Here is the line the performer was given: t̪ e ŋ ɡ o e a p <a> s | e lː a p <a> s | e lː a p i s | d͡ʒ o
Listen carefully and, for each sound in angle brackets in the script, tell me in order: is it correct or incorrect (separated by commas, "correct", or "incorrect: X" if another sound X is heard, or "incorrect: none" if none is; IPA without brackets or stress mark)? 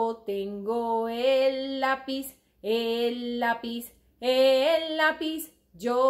incorrect: i, incorrect: i